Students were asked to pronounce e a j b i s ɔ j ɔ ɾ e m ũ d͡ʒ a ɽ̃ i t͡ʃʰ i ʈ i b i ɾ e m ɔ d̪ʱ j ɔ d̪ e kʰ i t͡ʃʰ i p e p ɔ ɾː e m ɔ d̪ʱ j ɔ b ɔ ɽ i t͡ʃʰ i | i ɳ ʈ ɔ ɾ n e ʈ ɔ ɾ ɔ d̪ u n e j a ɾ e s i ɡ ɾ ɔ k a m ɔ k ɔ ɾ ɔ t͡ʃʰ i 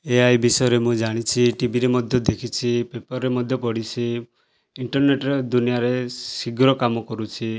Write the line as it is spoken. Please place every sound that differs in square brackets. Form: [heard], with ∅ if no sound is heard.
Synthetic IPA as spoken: e a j b i s ɔ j ɔ ɾ e m ũ d͡ʒ a ɽ̃ i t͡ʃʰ i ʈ i b i ɾ e m ɔ d̪ʱ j ɔ d̪ e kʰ i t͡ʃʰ i p e p ɔ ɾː e m ɔ d̪ʱ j ɔ [p] ɔ ɽ i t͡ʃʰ i | i ɳ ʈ ɔ ɾ n e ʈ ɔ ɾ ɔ d̪ u n [i] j a ɾ e s i ɡ ɾ ɔ k a m ɔ k ɔ ɾ [u] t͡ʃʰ i